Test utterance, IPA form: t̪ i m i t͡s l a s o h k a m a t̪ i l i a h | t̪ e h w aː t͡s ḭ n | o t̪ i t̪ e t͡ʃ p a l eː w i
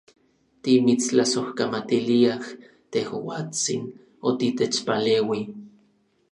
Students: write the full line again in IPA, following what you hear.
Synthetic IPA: t̪ i m i t͡s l a s o h k a m a t̪ i l i a h | t̪ e h w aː t͡s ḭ n | o t̪ i t̪ e t͡ʃ p a l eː w i